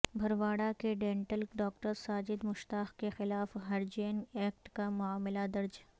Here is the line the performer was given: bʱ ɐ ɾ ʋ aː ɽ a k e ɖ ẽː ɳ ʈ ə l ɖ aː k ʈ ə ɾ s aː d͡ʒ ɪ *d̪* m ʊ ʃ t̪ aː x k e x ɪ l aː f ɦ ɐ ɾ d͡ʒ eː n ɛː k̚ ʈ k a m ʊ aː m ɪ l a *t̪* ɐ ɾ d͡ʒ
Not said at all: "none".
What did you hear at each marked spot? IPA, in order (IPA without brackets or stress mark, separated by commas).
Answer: d̪, d̪